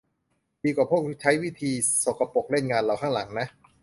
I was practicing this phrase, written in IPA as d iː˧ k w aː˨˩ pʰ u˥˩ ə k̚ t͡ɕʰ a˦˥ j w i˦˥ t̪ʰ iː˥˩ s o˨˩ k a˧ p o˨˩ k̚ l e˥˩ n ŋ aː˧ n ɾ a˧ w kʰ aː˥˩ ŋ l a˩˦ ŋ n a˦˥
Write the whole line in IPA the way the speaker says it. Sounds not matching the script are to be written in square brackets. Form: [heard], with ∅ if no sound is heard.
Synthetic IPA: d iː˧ k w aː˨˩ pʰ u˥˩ ə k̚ t͡ɕʰ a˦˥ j w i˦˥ t̪ʰ [iː˧] s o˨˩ k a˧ p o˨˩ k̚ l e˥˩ n ŋ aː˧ n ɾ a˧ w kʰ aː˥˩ ŋ l a˩˦ ŋ n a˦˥